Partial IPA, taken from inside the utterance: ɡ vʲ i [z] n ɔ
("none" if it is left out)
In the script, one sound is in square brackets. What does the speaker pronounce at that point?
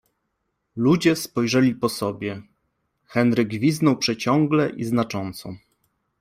z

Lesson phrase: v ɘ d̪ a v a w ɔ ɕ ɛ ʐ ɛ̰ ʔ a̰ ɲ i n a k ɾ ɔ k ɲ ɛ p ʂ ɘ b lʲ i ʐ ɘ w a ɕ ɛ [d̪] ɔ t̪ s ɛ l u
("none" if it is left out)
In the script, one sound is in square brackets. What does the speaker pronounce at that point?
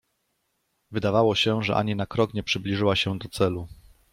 d̪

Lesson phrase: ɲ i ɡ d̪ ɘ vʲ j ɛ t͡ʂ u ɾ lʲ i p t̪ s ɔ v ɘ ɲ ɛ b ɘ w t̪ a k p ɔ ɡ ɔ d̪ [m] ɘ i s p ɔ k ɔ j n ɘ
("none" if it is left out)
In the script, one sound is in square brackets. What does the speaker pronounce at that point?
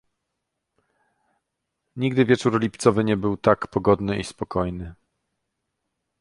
n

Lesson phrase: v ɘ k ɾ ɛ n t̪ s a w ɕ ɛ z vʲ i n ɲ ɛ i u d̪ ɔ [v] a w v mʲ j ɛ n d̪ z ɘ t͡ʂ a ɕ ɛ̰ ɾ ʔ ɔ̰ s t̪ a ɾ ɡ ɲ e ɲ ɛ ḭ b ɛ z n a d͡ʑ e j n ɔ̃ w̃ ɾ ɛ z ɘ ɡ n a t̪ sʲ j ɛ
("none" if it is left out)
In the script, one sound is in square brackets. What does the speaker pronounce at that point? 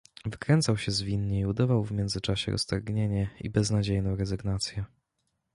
v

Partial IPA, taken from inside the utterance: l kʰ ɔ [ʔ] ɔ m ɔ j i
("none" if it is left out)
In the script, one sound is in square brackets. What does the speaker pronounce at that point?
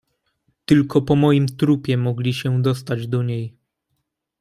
p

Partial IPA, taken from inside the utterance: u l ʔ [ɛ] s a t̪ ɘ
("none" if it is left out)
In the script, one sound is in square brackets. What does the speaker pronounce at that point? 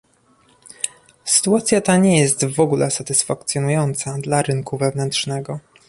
ɛ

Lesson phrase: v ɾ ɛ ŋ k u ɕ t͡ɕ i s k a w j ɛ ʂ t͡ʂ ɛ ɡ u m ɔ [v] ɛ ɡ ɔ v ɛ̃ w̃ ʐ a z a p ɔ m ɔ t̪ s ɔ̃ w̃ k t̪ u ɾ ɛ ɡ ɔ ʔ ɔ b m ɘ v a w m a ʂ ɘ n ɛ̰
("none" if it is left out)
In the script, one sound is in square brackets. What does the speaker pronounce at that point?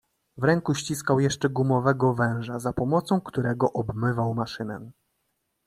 v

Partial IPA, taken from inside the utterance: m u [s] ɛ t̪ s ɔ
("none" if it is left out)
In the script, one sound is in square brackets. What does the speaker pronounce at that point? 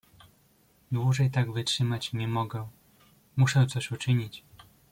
ʂ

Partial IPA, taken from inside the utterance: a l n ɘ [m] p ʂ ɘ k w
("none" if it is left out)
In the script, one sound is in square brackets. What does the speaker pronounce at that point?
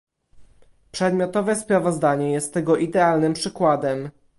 m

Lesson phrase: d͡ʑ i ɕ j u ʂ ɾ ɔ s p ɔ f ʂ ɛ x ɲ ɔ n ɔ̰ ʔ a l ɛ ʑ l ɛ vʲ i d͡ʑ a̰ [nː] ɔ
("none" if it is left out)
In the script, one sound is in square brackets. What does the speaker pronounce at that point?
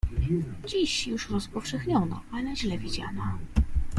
n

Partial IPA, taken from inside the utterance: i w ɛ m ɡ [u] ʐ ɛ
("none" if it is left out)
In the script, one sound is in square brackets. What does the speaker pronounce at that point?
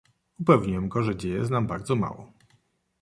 ɔ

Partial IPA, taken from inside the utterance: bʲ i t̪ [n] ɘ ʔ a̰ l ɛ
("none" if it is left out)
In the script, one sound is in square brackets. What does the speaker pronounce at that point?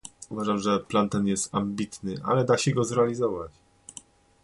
n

